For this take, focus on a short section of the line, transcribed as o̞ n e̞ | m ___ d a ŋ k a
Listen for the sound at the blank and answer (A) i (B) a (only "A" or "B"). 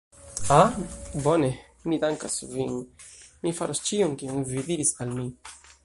A